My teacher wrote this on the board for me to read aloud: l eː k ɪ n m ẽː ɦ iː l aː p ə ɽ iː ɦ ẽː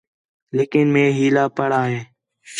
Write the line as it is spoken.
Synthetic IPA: l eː k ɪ n m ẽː ɦ iː l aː p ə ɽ aː ɦ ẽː